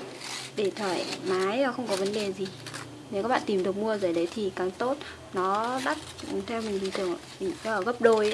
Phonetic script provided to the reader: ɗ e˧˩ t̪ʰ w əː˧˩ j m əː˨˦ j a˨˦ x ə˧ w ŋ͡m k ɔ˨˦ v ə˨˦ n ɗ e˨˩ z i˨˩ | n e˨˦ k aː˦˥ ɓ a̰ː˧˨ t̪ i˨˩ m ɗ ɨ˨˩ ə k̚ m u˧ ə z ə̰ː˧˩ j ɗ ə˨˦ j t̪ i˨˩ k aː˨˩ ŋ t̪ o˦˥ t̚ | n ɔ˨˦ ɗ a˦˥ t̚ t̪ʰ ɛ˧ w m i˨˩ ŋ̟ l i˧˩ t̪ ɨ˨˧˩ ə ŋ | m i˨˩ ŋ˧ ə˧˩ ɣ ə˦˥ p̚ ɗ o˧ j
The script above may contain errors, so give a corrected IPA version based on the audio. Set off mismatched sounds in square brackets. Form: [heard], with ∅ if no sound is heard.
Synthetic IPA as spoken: ɗ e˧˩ t̪ʰ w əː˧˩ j m [aː˨˦] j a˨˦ x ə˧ w ŋ͡m k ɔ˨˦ v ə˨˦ n ɗ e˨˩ z i˨˩ | n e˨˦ k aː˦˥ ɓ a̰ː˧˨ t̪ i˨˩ m ɗ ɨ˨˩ ə k̚ m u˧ ə z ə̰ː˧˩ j ɗ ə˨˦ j [t̪ʰ] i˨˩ k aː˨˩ ŋ t̪ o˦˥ t̚ | n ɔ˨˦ ɗ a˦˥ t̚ t̪ʰ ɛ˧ w m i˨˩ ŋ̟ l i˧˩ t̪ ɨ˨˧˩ ə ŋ | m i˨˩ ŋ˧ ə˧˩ ɣ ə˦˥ p̚ ɗ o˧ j